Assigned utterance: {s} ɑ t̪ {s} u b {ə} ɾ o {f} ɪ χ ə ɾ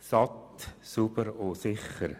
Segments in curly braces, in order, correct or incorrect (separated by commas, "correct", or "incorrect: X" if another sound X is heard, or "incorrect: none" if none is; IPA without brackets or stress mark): correct, correct, correct, incorrect: s